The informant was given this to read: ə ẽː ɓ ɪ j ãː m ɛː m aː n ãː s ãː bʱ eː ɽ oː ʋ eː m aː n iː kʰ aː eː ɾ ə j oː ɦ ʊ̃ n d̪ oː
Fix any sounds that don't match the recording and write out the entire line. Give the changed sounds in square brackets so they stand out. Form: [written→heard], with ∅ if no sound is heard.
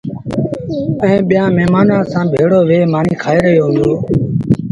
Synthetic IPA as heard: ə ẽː ɓ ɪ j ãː m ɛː m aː n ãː s ãː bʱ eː ɽ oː ʋ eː m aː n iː kʰ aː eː ɾ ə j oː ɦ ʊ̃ n d̪ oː

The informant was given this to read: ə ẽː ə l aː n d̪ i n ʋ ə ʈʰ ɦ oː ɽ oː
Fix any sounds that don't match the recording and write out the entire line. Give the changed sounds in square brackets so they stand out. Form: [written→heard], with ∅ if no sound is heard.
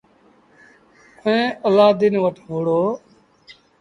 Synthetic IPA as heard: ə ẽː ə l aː [n→∅] d̪ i n ʋ ə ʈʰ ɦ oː ɽ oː

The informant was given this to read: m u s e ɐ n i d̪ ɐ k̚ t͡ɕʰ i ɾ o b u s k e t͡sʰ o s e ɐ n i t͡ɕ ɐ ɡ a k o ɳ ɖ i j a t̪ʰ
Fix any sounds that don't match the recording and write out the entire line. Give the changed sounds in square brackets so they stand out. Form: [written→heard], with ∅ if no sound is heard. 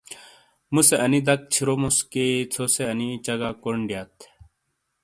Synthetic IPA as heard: m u s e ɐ n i d̪ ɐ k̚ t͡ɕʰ i ɾ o [b→m] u s k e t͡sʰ o s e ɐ n i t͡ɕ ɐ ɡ a k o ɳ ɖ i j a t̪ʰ

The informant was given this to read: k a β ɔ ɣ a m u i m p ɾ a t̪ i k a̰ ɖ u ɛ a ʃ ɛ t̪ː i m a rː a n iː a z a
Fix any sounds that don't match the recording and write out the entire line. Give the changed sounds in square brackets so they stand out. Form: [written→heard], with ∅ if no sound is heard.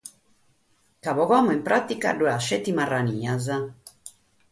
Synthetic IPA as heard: k a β ɔ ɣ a m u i m p ɾ a t̪ i k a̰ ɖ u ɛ a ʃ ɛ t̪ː i m a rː a n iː a z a

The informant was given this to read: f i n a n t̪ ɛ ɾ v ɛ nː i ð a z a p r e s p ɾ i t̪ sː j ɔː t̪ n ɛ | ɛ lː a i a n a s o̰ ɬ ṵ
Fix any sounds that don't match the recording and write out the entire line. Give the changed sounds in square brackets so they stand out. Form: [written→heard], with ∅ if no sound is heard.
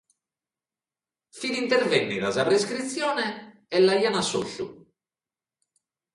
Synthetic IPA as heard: f i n [a→i] n t̪ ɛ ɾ v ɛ nː i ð a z a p [r→ɾ] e s [p→k] ɾ i t̪ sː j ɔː [t̪→∅] n ɛ | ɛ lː a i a n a s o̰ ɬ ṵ

